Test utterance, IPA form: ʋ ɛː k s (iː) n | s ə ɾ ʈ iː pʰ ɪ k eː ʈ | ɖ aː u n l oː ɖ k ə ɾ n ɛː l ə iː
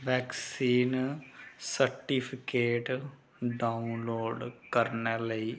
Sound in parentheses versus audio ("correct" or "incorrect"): correct